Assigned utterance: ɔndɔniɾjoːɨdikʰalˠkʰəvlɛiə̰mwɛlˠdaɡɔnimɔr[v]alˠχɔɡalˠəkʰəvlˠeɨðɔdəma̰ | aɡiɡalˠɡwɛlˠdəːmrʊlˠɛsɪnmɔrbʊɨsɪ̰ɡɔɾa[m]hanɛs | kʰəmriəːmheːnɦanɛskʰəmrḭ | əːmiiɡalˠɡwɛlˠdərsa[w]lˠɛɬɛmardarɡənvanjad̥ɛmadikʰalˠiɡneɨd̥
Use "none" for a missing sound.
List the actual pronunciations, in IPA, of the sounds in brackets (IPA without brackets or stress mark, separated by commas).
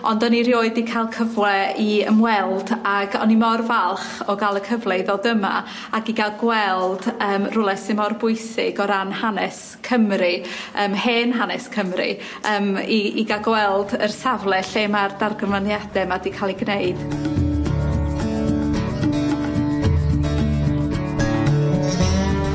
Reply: v, n, v